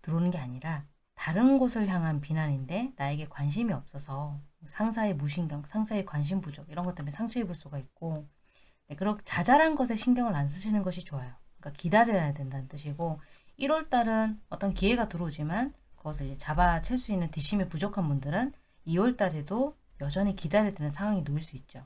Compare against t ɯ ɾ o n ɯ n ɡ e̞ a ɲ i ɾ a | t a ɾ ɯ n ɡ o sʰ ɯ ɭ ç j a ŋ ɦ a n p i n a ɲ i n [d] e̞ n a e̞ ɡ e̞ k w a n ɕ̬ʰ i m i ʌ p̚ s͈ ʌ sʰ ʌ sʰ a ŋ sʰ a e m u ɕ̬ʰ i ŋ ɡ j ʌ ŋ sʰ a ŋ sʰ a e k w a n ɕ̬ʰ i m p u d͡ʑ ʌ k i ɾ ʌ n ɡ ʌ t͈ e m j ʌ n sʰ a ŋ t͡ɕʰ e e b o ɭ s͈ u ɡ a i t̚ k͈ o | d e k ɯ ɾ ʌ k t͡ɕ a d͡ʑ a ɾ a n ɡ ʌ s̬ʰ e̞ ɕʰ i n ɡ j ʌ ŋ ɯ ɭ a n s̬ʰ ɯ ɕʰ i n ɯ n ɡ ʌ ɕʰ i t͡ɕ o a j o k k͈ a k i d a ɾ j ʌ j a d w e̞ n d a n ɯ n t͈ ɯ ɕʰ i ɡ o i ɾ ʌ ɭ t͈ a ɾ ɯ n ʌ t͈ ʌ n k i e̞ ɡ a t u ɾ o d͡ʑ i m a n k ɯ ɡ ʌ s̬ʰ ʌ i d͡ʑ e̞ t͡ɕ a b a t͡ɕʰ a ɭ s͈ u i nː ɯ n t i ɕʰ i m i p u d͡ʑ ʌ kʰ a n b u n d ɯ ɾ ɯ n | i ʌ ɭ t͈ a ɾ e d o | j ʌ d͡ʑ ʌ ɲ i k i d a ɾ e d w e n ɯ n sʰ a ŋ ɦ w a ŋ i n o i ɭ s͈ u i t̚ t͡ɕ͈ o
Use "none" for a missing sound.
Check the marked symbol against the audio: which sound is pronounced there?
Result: d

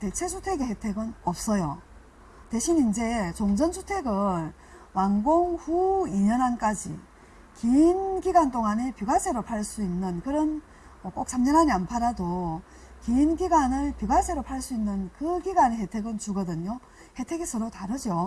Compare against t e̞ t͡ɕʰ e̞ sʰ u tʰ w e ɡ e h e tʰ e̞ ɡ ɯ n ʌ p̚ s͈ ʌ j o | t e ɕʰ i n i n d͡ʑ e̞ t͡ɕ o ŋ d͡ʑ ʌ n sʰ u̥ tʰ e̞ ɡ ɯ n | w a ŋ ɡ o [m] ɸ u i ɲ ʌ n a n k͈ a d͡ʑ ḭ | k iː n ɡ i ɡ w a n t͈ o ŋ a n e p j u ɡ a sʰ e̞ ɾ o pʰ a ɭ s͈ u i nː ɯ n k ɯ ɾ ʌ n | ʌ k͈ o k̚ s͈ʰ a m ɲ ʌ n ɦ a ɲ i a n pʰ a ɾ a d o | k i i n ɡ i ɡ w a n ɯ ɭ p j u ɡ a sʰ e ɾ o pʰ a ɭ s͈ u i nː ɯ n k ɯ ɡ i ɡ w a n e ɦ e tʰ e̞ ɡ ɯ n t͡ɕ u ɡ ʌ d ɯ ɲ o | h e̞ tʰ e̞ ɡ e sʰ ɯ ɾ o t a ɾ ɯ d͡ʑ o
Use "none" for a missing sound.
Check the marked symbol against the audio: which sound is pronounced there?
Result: ŋ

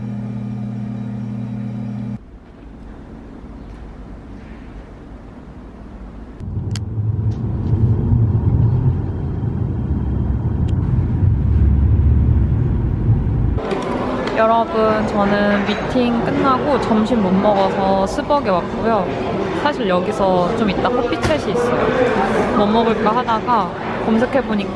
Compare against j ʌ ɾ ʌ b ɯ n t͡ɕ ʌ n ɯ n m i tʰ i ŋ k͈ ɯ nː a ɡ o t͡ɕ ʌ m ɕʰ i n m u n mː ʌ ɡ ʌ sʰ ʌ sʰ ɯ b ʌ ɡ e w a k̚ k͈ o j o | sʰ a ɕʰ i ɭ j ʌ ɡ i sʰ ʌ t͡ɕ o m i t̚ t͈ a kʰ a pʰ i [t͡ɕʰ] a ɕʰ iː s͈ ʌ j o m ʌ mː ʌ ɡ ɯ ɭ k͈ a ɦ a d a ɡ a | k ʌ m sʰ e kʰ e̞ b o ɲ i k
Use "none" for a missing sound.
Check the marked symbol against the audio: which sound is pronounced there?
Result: t͡ɕʰ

